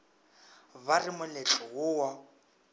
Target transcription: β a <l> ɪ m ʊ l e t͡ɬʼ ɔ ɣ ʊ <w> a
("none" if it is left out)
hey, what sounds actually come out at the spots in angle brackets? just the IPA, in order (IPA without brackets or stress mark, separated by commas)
r, w